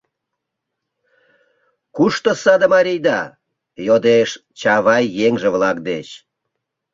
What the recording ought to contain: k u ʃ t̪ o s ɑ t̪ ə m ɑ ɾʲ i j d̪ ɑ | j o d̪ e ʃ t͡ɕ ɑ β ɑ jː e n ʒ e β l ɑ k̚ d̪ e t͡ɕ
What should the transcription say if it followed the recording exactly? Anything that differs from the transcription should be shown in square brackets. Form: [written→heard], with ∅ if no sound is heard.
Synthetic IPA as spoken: k u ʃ t̪ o s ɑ [t̪→d̪] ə m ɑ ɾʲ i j d̪ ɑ | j o d̪ e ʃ t͡ɕ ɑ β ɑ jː e [n→ŋ] ʒ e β l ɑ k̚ d̪ e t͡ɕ